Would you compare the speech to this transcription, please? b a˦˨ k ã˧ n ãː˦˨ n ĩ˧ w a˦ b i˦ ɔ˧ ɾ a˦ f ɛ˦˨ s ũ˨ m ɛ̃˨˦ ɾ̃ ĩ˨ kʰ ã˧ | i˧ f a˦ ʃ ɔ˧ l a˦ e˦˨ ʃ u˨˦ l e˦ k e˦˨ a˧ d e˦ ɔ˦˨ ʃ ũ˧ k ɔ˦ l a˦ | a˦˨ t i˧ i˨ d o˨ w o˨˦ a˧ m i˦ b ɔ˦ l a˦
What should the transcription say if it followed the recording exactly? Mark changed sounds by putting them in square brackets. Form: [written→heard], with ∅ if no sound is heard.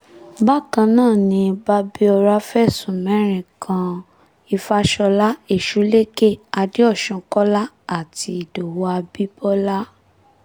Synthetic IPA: b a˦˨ k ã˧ n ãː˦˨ n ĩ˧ [w→b] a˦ b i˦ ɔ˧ ɾ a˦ f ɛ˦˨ s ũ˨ m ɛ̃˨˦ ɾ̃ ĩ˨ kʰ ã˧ | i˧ f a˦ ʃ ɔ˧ l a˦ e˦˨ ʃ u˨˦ l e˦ k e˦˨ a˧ d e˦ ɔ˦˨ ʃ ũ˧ k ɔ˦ l a˦ | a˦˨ t i˧ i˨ d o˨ w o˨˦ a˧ [m→b] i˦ b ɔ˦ l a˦